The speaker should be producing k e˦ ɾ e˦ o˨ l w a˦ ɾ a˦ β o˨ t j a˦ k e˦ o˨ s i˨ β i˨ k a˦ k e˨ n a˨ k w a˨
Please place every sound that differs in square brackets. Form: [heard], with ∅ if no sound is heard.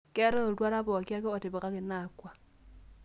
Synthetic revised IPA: k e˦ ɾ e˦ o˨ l w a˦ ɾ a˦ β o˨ [k] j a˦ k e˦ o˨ [t] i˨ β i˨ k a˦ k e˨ n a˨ k w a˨